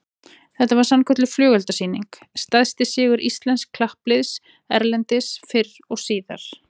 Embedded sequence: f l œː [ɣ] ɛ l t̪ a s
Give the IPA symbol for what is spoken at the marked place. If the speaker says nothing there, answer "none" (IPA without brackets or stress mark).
ɣ